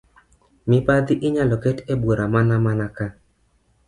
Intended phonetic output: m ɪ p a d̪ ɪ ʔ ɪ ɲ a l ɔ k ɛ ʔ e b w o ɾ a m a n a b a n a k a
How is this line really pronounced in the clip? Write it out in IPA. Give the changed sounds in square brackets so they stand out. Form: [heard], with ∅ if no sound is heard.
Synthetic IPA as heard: m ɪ p a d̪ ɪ ʔ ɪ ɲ a l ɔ k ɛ [t] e b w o ɾ a m a n a [m] a n a k a